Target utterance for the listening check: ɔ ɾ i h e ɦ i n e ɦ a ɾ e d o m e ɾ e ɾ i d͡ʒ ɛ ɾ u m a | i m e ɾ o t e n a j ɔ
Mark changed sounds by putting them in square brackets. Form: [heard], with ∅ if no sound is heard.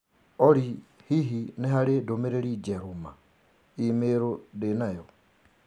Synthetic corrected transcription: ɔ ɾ i h [i] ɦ i n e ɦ a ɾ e d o m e ɾ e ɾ i d͡ʒ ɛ ɾ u m a | i m e ɾ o [d] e n a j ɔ